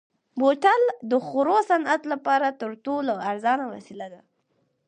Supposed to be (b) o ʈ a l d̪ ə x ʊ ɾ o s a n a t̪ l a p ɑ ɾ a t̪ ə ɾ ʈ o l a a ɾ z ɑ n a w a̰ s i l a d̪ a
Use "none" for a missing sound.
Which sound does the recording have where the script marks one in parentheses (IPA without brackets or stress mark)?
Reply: b